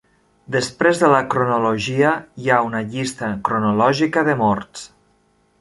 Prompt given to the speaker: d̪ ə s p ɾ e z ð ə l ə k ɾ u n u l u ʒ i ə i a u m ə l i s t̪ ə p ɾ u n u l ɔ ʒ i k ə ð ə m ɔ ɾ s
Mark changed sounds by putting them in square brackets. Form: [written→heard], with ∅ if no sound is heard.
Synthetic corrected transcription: d̪ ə s p ɾ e z ð ə l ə k ɾ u n u l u ʒ i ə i a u [m→n] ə [l→ʎ] i s t̪ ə [p→k] ɾ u n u l ɔ ʒ i k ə ð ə m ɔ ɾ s